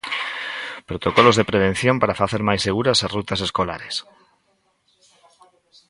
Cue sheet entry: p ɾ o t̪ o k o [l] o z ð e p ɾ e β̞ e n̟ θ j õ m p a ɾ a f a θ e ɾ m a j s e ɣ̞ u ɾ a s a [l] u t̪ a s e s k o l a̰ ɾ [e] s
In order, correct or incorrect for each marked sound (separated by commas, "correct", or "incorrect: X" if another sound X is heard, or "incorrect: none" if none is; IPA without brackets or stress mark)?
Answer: correct, incorrect: r, correct